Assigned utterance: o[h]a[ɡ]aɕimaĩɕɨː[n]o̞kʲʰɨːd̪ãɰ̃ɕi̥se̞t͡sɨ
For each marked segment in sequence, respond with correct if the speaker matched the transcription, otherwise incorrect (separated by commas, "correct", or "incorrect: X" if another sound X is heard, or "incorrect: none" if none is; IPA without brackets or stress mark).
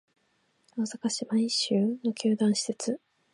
incorrect: s, incorrect: k, correct